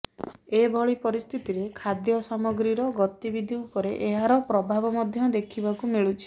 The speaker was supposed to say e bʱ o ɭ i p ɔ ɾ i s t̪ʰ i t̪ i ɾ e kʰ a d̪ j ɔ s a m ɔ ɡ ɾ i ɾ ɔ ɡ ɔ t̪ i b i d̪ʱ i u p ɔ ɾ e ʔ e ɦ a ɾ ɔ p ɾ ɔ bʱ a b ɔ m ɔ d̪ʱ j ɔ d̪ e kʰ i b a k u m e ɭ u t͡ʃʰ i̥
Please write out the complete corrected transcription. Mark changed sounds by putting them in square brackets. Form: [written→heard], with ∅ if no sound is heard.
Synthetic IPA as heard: e bʱ [o→ɔ] ɭ i p ɔ ɾ i s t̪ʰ i t̪ i ɾ e kʰ a d̪ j ɔ s a m ɔ ɡ ɾ i ɾ ɔ ɡ ɔ t̪ i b i d̪ʱ i u p ɔ ɾ e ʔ e ɦ a ɾ ɔ p ɾ ɔ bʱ a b ɔ m ɔ d̪ʱ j ɔ d̪ e kʰ i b a k u m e ɭ u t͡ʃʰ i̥